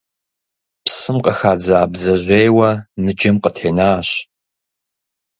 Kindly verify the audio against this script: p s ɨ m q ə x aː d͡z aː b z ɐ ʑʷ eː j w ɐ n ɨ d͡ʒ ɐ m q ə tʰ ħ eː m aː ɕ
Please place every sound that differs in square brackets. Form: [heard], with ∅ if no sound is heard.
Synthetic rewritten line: p s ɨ m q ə x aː d͡z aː b z ɐ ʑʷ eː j w ɐ n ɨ d͡ʒ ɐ m q ə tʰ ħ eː [n] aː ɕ